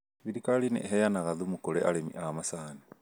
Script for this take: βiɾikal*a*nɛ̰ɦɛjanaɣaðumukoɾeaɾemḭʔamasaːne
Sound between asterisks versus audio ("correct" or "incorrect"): incorrect